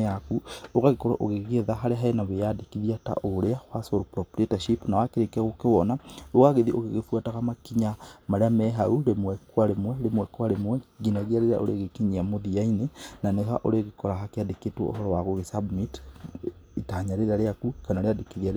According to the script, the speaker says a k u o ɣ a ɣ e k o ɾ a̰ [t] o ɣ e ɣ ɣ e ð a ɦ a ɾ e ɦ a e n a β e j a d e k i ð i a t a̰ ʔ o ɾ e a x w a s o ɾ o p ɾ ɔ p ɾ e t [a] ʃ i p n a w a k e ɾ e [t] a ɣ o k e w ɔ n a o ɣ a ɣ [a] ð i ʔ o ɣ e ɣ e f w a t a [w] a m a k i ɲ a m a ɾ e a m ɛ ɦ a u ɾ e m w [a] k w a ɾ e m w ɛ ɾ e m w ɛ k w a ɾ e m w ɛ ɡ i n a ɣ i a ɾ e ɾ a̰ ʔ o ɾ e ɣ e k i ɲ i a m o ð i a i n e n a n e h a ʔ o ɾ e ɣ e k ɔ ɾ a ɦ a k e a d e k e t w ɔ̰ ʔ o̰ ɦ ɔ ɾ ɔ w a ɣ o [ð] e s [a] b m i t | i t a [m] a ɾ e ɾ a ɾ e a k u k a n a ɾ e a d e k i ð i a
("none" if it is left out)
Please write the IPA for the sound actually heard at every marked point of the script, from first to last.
ʔ, a, k, e, ɣ, ɛ, ɣ, a, ɲ

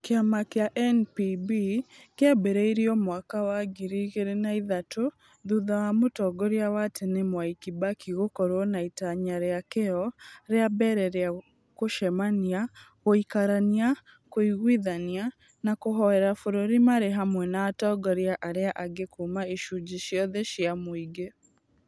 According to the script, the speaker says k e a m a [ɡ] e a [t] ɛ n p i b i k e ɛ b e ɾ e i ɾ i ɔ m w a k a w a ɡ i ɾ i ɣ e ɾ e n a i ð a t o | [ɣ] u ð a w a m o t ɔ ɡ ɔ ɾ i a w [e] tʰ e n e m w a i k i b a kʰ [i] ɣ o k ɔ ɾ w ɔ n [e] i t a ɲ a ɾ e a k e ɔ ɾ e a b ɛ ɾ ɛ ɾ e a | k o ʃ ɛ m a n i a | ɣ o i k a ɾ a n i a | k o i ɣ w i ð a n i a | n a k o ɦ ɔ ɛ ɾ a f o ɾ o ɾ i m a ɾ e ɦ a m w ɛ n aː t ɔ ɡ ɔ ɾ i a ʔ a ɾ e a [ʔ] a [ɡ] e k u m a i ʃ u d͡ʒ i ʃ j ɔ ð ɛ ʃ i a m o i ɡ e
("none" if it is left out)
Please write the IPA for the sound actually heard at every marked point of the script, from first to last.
k, ʔ, ð, a, i, a, ʔ, ɡ

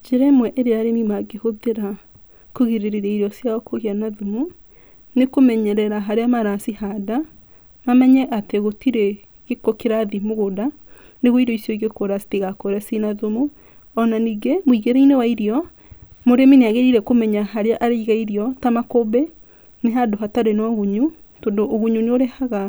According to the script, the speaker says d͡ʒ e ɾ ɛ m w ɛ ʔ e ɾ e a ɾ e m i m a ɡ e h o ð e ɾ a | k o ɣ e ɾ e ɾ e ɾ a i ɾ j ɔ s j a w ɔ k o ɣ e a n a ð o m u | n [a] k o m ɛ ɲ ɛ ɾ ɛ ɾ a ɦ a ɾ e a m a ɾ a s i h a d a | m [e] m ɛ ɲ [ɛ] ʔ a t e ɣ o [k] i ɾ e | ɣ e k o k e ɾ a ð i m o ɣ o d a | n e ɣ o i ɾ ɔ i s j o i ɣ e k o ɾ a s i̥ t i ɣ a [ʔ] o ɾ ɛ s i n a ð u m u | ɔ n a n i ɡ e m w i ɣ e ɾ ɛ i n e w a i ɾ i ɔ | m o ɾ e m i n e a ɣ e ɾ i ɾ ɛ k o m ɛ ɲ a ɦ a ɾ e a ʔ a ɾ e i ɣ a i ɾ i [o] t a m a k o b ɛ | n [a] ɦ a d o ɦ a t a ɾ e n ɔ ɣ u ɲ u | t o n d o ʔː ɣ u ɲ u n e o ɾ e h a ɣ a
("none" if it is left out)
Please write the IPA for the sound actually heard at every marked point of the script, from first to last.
e, a, ɛ, t, k, ɔ, e

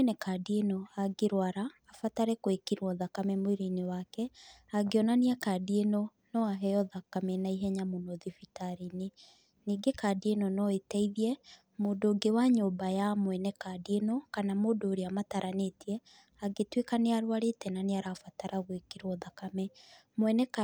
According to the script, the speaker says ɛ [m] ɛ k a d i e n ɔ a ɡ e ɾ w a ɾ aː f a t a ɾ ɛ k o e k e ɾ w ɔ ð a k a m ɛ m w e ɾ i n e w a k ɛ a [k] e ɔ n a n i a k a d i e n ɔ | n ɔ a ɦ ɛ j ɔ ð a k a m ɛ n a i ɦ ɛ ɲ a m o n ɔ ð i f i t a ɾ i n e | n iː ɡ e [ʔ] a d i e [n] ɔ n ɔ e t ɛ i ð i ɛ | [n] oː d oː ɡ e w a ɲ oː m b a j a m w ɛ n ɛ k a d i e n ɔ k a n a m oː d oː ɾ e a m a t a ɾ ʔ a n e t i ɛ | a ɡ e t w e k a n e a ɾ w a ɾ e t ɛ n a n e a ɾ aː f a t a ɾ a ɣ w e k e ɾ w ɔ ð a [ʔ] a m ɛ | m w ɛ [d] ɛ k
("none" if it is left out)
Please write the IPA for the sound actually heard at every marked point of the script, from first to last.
n, ɡ, k, n, m, k, n

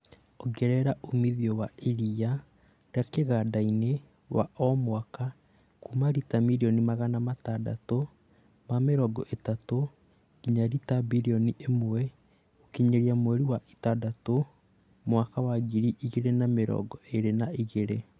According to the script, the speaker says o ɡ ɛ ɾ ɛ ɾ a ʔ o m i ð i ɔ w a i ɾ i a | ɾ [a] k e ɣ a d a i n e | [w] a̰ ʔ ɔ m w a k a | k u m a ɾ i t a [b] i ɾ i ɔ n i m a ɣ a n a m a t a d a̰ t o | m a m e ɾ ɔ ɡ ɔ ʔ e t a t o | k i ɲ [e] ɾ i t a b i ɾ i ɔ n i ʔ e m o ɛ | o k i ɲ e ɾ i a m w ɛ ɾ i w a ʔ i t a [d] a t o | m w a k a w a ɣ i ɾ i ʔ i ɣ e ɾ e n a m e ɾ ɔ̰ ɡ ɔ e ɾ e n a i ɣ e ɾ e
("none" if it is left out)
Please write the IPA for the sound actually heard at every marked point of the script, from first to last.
a, w, m, a, d

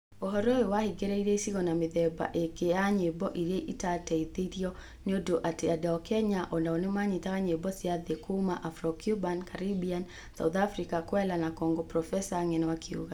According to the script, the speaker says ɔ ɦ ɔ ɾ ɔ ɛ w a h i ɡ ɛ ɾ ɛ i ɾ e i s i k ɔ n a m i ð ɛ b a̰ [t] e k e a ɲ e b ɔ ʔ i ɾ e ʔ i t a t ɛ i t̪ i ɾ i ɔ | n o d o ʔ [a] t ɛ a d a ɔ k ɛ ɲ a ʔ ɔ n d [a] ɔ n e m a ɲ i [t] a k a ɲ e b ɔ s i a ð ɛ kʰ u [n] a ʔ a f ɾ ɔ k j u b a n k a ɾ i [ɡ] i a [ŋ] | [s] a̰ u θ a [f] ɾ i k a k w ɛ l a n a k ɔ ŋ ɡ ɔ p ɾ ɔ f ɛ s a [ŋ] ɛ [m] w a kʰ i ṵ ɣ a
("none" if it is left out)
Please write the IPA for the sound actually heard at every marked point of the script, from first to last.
ʔ, a, a, t, m, b, n, s, f, ŋ, n

